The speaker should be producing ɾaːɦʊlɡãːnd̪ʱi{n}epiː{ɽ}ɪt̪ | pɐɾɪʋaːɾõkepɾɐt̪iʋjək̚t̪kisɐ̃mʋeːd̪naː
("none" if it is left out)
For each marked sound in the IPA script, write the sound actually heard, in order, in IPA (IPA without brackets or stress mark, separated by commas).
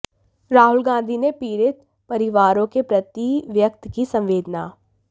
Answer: n, ɾ